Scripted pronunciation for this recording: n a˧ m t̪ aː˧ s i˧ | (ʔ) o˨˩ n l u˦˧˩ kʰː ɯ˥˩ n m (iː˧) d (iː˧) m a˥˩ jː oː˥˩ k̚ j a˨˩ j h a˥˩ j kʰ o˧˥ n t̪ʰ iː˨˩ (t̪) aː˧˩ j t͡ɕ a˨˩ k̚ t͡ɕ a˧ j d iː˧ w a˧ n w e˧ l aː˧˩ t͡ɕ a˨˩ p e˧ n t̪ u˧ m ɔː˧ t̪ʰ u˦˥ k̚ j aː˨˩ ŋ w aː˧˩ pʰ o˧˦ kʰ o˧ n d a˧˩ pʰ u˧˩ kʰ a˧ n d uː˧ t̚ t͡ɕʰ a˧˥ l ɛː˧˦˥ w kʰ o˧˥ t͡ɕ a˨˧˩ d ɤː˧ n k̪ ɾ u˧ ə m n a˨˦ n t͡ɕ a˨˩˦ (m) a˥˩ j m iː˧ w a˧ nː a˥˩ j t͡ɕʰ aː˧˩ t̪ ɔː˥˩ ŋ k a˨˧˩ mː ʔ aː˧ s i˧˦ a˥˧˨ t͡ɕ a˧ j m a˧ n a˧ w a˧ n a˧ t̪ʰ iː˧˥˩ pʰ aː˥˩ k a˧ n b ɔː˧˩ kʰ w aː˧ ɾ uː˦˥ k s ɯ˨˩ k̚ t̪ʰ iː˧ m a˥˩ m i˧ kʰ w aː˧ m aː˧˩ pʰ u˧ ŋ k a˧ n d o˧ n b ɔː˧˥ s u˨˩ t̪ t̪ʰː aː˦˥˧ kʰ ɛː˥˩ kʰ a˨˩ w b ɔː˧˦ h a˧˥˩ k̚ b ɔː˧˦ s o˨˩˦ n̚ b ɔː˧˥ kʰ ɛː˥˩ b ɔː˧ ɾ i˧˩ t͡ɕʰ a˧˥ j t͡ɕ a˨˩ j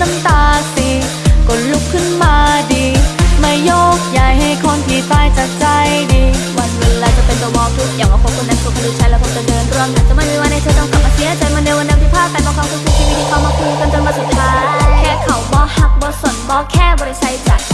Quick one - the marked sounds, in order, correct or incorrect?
incorrect, incorrect, correct, correct, correct

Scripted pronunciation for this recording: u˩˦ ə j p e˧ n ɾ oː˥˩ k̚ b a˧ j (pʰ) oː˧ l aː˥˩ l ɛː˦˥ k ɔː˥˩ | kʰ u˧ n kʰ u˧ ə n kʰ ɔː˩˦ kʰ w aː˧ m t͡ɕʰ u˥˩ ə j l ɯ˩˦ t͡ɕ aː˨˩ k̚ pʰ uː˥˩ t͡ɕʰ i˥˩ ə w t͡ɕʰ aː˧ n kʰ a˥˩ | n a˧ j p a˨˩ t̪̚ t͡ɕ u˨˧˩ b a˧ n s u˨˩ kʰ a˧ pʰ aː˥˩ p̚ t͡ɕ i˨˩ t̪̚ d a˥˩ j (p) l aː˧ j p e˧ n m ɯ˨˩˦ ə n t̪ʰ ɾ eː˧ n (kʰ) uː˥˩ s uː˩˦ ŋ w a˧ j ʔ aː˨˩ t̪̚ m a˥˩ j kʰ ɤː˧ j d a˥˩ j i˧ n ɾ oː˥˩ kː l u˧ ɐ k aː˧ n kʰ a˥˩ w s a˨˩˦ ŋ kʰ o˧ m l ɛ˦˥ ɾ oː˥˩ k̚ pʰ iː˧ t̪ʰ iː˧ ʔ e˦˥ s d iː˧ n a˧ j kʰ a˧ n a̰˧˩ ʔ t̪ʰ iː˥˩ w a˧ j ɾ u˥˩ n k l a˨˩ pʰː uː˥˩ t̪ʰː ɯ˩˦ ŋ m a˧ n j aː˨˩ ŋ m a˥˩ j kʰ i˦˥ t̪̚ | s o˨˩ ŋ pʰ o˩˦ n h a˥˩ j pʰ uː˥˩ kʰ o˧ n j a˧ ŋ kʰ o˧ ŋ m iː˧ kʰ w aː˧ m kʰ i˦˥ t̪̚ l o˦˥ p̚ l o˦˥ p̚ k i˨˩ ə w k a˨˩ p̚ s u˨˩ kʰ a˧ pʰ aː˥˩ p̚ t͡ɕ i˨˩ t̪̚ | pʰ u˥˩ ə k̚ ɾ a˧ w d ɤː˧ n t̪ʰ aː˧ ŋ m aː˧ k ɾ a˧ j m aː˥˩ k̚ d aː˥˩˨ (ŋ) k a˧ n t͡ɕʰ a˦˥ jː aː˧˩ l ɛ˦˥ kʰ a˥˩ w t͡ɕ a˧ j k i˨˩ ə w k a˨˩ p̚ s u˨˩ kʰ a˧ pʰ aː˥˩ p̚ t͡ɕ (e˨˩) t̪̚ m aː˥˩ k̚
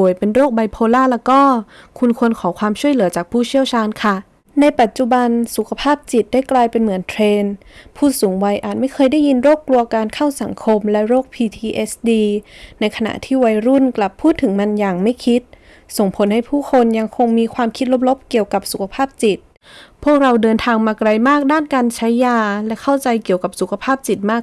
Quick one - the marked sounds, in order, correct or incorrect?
correct, incorrect, incorrect, incorrect, incorrect

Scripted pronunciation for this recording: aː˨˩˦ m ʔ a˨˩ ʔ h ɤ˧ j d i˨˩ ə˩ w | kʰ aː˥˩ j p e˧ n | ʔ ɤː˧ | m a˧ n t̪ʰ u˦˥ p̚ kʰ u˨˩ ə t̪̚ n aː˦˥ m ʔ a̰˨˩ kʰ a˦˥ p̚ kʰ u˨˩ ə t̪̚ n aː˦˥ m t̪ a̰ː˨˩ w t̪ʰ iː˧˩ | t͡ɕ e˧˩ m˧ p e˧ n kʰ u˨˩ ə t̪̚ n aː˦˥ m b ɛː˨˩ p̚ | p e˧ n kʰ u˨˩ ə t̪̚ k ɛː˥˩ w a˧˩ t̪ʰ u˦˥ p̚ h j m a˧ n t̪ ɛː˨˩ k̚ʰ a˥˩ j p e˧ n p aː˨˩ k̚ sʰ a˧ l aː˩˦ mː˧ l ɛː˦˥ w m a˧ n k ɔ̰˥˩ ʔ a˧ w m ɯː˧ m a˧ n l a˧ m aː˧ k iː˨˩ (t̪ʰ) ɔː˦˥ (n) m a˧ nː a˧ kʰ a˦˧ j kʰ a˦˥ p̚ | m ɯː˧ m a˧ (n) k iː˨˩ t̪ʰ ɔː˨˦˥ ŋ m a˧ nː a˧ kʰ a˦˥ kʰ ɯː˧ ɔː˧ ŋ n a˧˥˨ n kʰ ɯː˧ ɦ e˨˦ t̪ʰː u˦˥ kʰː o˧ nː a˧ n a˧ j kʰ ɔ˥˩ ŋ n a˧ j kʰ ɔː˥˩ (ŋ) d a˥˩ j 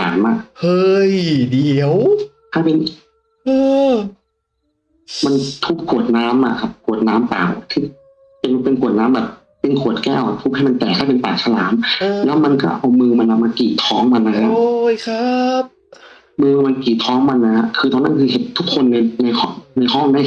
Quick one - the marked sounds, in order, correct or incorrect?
correct, incorrect, correct, correct

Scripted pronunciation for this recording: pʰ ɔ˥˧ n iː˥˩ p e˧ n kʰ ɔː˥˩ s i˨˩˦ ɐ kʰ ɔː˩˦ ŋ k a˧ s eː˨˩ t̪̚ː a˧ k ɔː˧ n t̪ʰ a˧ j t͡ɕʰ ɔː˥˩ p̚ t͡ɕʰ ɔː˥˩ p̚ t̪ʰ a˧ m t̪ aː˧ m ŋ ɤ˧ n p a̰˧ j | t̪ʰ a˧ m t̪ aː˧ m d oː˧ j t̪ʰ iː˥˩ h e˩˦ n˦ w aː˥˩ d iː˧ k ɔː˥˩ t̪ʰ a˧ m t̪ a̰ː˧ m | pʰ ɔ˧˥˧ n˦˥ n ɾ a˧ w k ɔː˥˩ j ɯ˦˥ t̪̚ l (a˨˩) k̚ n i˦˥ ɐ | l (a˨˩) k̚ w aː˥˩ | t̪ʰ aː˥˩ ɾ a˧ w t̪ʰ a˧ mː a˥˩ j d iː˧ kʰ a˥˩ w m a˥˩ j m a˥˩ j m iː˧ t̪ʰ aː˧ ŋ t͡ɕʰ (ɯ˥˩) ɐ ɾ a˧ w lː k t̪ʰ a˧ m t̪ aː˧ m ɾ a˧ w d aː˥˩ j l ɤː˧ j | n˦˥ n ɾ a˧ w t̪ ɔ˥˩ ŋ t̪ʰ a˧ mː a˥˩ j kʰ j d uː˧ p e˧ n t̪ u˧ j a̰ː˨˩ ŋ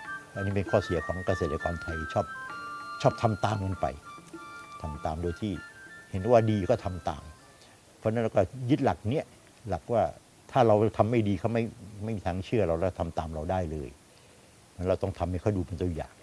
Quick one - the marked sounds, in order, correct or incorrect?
correct, correct, correct

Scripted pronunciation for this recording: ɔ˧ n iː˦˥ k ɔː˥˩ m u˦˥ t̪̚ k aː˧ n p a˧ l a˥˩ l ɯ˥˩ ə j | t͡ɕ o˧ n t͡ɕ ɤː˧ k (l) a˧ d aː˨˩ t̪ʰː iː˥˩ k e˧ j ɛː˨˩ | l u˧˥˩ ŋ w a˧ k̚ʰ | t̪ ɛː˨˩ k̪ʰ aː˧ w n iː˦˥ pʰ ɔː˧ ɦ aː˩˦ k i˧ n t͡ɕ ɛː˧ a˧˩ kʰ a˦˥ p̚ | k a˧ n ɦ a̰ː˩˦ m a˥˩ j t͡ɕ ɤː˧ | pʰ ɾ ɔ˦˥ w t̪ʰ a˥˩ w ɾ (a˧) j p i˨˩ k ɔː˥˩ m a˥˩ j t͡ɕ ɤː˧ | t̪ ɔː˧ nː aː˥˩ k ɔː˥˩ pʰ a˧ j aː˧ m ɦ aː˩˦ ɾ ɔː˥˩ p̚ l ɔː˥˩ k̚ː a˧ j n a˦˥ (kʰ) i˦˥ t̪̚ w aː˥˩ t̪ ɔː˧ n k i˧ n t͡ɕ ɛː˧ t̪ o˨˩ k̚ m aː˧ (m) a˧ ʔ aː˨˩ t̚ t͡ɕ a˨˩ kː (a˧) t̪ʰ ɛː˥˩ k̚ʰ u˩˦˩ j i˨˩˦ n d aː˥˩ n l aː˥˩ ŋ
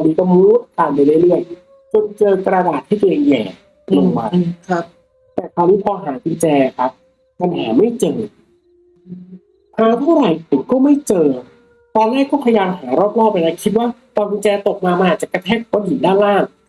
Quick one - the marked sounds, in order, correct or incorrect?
incorrect, incorrect, correct, correct, correct

